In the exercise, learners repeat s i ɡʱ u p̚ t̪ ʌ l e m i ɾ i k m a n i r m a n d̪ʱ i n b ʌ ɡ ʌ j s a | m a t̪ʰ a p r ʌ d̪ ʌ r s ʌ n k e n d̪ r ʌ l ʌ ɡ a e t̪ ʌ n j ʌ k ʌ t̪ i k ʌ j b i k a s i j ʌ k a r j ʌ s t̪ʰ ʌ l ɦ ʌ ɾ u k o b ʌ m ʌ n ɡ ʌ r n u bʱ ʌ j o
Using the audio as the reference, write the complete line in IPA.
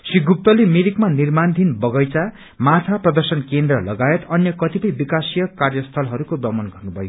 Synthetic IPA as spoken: s i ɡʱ u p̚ t̪ ʌ l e m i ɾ i k m a n i r m a n d̪ʱ i n b ʌ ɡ ʌ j t͡s a | m a t̪ʰ a p r ʌ d̪ ʌ r s ʌ n k e n d̪ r ʌ l ʌ ɡ a e t̪ ʌ n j ʌ k ʌ t̪ i p ʌ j b i k a s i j ʌ k a r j ʌ s t̪ʰ ʌ l ɦ ʌ ɾ u k o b ʌ m ʌ n ɡ ʌ r n u bʱ ʌ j o